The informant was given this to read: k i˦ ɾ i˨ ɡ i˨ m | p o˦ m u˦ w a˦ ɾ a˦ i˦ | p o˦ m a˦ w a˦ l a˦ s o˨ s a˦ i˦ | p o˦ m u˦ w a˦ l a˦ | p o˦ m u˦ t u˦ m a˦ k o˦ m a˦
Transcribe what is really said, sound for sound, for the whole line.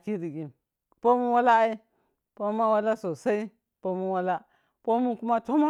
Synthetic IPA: k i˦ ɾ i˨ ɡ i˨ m | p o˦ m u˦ w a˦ l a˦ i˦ | p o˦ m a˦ w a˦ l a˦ s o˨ s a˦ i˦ | p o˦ m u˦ w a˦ l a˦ | p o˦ m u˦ k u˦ m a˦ t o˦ m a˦